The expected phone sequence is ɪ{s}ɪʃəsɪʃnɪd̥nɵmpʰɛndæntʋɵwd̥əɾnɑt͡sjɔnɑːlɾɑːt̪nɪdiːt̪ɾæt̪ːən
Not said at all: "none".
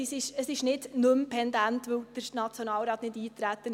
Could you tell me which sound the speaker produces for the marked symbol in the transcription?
s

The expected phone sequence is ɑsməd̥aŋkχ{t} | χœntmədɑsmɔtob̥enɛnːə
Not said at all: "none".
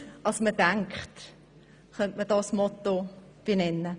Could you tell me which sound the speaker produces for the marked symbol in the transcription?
t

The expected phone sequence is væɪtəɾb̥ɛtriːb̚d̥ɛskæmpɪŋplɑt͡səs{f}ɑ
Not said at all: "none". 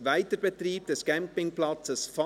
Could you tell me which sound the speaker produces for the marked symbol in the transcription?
f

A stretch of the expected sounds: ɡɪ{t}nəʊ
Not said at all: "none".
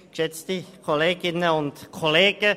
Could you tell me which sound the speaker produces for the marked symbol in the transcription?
none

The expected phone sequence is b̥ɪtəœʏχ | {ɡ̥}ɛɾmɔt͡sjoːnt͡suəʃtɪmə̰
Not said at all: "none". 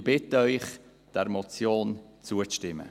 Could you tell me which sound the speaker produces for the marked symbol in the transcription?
d̥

